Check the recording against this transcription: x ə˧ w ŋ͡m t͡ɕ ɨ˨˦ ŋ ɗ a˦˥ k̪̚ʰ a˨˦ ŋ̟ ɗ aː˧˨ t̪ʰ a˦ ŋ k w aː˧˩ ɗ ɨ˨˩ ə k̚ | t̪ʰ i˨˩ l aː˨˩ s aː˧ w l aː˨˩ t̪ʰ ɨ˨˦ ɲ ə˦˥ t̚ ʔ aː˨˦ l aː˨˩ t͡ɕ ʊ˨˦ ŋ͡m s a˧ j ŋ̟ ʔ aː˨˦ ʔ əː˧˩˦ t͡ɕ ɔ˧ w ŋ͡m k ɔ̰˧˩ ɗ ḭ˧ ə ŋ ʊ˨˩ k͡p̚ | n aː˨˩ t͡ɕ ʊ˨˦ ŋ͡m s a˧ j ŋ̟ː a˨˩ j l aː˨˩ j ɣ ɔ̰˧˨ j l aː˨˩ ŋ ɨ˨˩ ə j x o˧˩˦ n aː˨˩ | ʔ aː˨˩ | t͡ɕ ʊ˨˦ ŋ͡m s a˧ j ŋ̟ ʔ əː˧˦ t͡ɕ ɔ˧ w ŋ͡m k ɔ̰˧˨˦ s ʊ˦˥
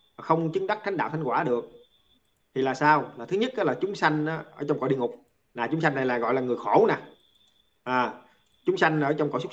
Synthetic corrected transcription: x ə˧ w ŋ͡m t͡ɕ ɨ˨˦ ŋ ɗ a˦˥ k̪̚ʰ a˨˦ ŋ̟ ɗ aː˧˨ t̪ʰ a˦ ŋ k w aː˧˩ ɗ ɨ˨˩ ə k̚ | t̪ʰ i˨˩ l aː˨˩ s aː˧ w l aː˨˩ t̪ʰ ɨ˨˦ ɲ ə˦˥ t̚ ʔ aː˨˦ l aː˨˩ t͡ɕ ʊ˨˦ ŋ͡m s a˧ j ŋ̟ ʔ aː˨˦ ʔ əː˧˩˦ t͡ɕ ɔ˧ w ŋ͡m k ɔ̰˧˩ ɗ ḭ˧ ə ŋ ʊ˨˩ k͡p̚ | n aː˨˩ t͡ɕ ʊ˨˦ ŋ͡m s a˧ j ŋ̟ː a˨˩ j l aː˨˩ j ɣ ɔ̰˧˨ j l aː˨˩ ŋ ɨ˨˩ ə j x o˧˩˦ n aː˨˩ | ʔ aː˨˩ | t͡ɕ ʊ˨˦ ŋ͡m s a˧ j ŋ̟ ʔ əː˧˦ t͡ɕ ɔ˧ w ŋ͡m k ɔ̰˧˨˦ s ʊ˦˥